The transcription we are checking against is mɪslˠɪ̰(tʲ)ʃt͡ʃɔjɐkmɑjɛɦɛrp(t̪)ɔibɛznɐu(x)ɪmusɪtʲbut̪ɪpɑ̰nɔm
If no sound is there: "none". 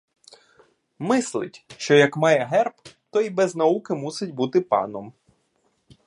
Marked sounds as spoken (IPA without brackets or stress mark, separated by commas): tʲ, t̪, k